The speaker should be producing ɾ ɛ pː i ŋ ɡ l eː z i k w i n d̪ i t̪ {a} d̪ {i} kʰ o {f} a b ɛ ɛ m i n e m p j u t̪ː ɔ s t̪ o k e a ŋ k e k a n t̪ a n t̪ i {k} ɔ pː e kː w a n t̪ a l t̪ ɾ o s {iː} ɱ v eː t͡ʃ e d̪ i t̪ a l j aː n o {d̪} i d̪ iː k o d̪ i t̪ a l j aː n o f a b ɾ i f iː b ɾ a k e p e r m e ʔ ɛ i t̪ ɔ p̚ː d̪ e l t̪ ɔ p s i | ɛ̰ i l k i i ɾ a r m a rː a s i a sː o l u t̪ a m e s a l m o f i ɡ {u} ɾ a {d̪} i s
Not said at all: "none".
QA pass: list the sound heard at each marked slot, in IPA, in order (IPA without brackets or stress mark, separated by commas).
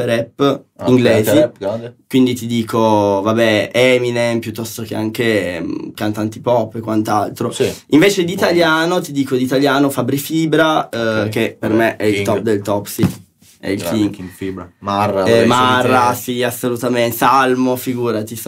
i, iː, v, p, i, t̪, uː, t̪